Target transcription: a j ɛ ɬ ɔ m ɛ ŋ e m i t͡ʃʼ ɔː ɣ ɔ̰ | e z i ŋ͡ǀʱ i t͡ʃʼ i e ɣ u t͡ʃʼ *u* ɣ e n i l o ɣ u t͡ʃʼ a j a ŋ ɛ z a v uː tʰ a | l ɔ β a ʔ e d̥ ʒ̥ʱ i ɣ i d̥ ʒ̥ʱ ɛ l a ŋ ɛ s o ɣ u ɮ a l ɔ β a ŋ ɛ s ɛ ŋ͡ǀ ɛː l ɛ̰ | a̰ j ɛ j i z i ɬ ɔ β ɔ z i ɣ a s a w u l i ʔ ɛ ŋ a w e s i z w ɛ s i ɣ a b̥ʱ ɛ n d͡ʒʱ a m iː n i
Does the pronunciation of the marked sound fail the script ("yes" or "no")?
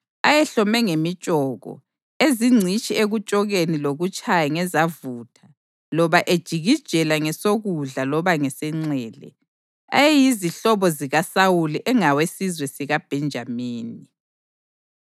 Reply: yes